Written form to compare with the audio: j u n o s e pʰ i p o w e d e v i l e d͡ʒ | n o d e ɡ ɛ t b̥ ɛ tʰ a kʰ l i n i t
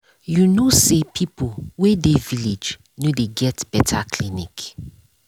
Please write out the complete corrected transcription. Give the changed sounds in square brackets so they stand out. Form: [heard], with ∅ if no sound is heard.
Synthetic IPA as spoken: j u n o s e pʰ i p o w e d e v i l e d͡ʒ | n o d e ɡ ɛ t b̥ ɛ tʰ a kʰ l i n i [k]